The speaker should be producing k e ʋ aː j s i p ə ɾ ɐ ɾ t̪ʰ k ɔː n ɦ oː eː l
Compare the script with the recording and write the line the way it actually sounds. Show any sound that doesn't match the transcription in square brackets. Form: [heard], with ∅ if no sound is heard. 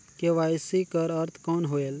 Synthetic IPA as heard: k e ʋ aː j s i [k] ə ɾ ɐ ɾ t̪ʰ k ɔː n ɦ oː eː l